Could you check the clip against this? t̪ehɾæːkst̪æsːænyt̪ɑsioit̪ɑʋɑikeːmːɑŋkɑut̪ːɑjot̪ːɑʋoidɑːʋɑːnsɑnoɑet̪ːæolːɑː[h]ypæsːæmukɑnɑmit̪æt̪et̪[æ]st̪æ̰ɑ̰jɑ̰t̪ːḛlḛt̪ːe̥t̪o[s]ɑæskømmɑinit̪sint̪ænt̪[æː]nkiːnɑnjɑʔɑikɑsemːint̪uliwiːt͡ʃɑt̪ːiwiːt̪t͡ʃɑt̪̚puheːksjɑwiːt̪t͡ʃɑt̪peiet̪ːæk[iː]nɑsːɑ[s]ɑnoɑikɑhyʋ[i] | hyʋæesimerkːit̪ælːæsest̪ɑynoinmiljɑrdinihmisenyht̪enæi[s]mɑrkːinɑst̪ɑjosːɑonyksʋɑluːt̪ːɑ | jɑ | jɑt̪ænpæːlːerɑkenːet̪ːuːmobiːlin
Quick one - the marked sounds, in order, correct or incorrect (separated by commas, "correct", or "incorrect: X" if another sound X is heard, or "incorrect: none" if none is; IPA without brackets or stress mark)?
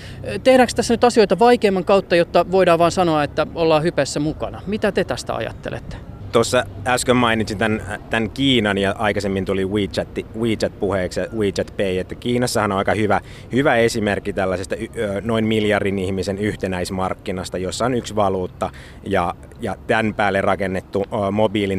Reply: correct, correct, incorrect: sː, incorrect: æ, correct, incorrect: h, incorrect: æ, correct